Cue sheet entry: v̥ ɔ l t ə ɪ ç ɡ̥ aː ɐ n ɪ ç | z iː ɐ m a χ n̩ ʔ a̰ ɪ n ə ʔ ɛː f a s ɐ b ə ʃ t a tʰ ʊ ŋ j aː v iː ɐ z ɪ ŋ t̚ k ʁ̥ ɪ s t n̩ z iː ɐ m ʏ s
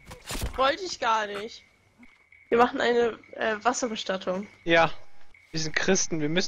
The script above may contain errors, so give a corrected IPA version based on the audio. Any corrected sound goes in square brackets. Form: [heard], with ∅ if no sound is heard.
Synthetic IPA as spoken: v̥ ɔ l t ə ɪ ç ɡ̥ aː ɐ n ɪ ç | [v] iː ɐ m a χ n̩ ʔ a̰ ɪ n ə ʔ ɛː [v] a s ɐ b ə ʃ t a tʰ ʊ ŋ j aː v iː ɐ z ɪ [n] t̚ k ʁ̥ ɪ s t n̩ [v] iː ɐ m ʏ s